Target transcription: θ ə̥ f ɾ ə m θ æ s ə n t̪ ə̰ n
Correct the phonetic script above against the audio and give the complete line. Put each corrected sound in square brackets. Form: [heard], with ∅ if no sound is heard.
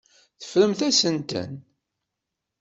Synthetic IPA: θ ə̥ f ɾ ə m θ æ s ə n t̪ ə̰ n